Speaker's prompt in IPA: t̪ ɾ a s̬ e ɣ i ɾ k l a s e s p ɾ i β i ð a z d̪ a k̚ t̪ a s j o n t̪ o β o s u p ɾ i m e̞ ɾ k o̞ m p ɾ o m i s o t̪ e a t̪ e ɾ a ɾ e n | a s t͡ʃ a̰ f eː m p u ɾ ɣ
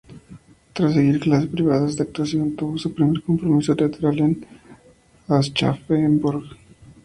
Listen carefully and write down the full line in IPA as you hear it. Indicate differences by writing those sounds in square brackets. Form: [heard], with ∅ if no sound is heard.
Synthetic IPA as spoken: t̪ ɾ a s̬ e ɣ i ɾ k l a s e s p ɾ i β [a] ð a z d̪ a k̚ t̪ a s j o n t̪ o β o s u p ɾ i m e̞ ɾ k o̞ m p ɾ o m i s o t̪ e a t̪ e ɾ a [l] e n | a s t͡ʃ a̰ f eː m [b] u ɾ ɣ